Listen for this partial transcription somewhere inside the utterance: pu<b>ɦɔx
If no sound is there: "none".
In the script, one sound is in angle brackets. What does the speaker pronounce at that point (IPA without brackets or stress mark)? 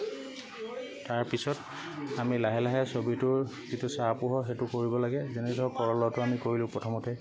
none